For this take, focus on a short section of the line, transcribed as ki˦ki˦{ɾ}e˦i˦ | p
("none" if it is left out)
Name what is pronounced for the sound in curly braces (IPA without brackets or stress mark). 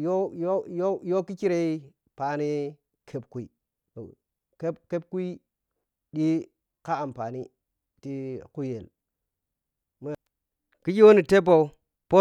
ɾ